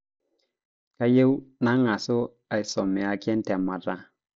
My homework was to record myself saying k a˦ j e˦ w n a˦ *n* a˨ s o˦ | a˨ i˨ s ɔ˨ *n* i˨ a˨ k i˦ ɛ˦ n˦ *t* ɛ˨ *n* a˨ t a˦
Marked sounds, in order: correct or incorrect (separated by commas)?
incorrect, incorrect, correct, incorrect